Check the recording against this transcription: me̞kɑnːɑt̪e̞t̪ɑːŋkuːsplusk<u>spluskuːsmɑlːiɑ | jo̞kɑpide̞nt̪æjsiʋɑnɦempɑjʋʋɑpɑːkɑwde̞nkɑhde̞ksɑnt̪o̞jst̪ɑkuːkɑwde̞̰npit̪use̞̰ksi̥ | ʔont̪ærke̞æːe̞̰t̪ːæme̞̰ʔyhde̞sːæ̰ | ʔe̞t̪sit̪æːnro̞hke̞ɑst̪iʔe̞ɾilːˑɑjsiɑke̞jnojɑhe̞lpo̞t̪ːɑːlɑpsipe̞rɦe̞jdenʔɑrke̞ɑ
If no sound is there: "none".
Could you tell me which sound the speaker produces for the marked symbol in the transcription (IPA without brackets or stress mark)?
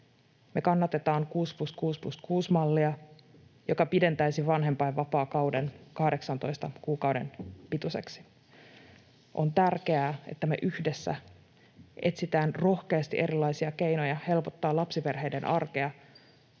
uː